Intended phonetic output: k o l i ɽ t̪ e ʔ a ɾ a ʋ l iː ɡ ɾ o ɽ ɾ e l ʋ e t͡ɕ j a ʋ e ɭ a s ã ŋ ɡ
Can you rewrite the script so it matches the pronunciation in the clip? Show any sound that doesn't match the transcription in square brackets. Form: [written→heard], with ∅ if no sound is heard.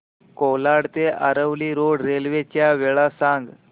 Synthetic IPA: k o l [i→a] ɽ t̪ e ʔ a ɾ [a→ə] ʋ l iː [ɡ→∅] ɾ o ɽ ɾ e l ʋ e t͡ɕ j a ʋ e ɭ a s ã ŋ ɡ